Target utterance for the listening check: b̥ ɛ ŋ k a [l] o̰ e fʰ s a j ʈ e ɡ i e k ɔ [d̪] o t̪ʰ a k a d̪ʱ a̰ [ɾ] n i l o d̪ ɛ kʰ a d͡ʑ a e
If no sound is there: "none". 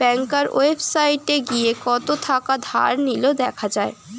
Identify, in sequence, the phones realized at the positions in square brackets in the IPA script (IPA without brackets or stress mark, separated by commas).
ɾ, t̪, ɾ